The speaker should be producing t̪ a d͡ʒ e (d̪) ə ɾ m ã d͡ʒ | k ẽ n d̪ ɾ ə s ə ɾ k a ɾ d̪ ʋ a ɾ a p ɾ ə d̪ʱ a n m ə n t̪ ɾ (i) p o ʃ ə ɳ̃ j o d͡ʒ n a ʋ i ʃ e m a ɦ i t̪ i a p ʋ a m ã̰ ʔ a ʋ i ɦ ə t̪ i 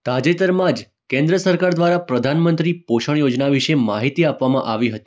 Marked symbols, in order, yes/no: no, yes

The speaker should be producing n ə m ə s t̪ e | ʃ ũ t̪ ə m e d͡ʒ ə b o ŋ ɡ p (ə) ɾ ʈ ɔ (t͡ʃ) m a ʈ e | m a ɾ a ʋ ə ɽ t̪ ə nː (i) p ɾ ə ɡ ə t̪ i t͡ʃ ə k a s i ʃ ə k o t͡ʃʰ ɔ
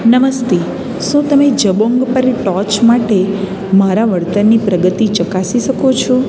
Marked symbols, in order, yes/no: yes, yes, yes

